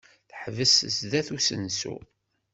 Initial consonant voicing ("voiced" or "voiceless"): voiceless